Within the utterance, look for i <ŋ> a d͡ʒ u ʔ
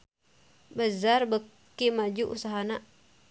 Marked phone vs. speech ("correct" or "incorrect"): incorrect